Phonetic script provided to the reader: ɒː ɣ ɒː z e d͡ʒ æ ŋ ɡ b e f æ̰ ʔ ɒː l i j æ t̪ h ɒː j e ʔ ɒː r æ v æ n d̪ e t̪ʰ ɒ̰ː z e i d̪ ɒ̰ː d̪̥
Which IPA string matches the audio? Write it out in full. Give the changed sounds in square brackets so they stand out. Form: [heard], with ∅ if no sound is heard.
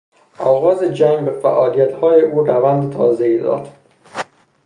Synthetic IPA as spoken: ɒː ɣ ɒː z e d͡ʒ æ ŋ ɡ b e f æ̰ ʔ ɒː l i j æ t̪ h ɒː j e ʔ [uː] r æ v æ n d̪ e t̪ʰ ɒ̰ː z e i d̪ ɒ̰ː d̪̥